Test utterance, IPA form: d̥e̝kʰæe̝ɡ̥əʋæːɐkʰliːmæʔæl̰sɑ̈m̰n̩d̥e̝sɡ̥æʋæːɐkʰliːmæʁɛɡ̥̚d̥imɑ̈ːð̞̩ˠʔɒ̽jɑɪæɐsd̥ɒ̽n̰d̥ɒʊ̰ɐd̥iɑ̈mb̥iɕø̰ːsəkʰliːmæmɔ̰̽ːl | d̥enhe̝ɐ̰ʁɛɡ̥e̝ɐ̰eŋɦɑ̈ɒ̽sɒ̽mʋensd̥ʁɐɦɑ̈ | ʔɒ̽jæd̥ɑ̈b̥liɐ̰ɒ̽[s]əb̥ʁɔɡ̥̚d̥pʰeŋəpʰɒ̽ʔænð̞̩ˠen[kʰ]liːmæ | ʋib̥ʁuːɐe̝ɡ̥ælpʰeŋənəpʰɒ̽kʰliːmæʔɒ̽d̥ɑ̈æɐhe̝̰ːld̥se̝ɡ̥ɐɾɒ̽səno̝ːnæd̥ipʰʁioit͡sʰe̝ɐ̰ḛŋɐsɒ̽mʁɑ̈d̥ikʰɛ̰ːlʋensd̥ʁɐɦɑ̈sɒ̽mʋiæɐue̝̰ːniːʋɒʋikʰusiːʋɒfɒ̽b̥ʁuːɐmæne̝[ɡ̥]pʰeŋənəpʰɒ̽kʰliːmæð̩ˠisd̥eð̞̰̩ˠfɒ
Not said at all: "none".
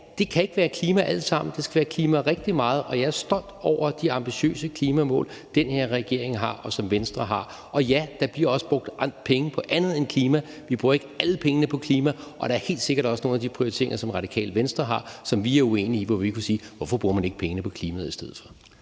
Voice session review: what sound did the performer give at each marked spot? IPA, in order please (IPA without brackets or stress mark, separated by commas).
s, kʰ, ɡ̥